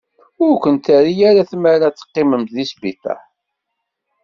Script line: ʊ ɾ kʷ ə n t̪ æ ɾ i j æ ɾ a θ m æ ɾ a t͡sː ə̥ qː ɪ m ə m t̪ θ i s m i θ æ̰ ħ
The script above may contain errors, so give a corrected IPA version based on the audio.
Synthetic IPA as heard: ʊ ɾ kʷ ə n t̪ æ ɾ i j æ ɾ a θ m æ ɾ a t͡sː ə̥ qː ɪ m ə m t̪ ð i s b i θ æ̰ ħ